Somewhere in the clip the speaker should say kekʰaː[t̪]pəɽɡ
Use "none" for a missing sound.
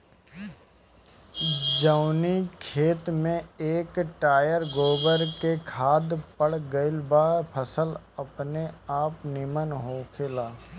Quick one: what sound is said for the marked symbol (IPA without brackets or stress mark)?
d̪